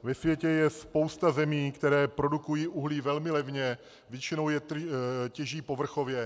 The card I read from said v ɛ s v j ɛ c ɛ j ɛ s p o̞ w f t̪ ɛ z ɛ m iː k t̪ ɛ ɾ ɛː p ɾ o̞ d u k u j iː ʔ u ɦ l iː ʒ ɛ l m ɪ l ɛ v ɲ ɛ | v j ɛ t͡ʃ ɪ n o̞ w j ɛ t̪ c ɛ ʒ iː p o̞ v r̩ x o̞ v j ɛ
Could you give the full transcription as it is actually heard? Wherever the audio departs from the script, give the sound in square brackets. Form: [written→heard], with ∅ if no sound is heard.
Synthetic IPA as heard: v ɛ s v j ɛ c ɛ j ɛ s p o̞ w [f→s] t̪ [ɛ→a] z ɛ m iː k t̪ ɛ ɾ ɛː p ɾ o̞ d u k u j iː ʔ u ɦ l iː [ʒ→v] ɛ l m ɪ l ɛ v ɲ ɛ | v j ɛ t͡ʃ ɪ n o̞ w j ɛ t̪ c ɛ ʒ iː p o̞ v r̩ x o̞ v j ɛ